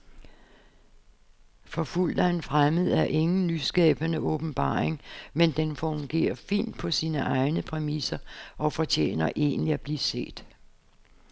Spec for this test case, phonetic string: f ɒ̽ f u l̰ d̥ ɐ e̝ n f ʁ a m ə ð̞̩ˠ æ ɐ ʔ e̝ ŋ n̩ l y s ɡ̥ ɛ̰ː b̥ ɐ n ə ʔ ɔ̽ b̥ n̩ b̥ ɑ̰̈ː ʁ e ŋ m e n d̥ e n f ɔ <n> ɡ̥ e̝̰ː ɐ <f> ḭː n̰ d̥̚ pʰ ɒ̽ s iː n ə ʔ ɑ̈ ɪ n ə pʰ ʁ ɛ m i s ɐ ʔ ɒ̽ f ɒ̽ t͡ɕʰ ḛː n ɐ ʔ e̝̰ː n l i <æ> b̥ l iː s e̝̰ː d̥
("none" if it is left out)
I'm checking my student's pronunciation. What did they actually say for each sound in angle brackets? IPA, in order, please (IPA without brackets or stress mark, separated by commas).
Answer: ŋ, f, æ